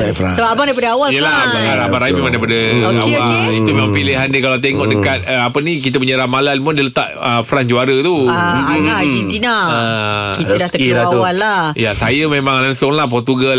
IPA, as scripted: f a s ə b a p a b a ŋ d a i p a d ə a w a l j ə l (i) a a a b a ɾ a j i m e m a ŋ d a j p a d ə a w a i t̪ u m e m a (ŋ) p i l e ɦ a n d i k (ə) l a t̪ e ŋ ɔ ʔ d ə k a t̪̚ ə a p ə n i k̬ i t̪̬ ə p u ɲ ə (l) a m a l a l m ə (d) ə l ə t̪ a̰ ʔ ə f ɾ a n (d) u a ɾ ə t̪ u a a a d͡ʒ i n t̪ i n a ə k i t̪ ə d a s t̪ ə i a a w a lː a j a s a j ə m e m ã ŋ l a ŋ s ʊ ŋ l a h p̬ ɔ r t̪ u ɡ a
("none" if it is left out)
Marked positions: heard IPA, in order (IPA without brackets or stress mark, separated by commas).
a, ŋ, a, ɾ, d, d͡ʒ